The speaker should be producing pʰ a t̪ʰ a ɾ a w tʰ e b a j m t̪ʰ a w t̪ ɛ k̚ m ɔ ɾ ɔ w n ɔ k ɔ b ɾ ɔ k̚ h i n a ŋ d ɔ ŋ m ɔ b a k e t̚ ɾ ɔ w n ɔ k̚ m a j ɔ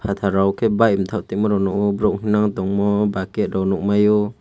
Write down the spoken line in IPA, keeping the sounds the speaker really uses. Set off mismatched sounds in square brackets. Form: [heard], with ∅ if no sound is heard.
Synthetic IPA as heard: pʰ a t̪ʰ a ɾ a w [kʰ] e b a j m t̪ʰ a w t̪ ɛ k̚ m ɔ ɾ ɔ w n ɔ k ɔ b ɾ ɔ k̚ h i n a ŋ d ɔ ŋ m ɔ b a k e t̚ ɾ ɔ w n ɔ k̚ m a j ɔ